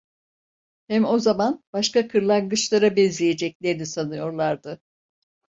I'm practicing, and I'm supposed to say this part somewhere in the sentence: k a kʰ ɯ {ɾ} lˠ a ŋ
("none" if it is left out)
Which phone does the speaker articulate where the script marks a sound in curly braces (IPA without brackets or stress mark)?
ɾ